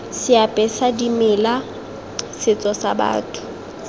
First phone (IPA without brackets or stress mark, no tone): s